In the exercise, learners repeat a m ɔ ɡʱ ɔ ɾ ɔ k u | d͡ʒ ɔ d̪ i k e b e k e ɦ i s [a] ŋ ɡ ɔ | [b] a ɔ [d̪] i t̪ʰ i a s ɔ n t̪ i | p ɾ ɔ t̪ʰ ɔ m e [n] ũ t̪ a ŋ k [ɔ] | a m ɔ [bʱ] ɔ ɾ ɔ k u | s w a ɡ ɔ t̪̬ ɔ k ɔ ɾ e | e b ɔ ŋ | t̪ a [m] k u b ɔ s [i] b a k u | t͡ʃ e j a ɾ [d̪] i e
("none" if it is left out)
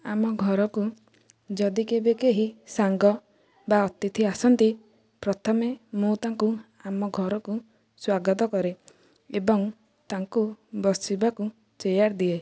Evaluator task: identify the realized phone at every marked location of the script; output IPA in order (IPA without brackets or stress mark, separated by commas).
a, b, t̪, m, u, ɡʱ, ŋ, i, d̪